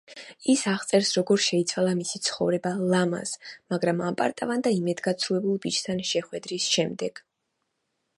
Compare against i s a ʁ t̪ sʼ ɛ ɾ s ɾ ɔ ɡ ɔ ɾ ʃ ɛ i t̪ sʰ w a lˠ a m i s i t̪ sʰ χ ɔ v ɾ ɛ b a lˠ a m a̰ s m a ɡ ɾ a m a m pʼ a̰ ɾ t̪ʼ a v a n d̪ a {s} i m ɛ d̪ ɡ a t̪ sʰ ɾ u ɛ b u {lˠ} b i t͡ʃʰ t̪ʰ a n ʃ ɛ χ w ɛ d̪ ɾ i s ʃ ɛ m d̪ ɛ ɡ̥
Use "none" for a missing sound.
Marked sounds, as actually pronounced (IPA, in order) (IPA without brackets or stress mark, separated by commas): none, lˠ